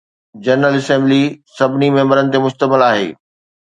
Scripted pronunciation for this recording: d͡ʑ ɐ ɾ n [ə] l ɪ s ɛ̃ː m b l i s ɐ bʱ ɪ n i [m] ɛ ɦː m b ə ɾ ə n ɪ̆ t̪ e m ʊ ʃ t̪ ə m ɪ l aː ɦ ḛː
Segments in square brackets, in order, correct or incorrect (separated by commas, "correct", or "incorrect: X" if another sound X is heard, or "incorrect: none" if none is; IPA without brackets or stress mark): correct, correct